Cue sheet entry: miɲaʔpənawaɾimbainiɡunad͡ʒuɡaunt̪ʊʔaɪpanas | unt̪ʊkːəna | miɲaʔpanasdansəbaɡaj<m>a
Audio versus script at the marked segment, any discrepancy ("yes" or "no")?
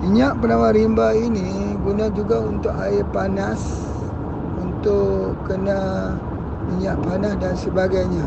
yes